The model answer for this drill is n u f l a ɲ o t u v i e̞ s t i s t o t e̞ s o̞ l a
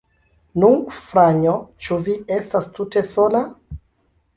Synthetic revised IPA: n u f ɾ a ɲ o t͡ʃ u v i e̞ s t a s t u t e̞ s o̞ l a